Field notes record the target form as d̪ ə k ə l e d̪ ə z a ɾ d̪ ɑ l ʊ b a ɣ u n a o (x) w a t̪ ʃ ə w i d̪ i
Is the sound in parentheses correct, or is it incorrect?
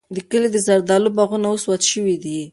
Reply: incorrect